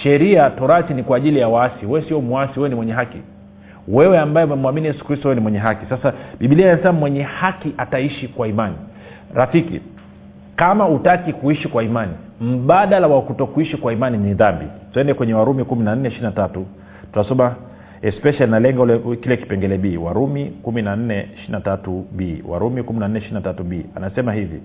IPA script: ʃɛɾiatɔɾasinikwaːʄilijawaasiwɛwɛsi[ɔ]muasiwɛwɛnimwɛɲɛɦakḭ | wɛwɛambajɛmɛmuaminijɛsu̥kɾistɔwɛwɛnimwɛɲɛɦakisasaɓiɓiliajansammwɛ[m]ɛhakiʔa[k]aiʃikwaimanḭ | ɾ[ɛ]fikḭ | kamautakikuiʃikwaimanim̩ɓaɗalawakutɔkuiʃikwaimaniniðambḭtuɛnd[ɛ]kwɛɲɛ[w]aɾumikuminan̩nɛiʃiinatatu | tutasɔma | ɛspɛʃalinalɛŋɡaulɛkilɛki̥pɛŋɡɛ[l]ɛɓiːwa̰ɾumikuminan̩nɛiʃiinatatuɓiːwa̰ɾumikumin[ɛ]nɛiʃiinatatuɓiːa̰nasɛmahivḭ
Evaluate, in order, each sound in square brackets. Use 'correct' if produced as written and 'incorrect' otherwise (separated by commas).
correct, incorrect, incorrect, incorrect, correct, correct, correct, incorrect